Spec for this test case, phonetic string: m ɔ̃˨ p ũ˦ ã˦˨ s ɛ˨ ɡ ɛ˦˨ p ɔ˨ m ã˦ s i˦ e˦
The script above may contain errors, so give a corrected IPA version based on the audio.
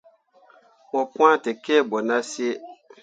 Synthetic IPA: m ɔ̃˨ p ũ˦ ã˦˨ t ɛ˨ k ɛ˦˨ b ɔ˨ n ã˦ s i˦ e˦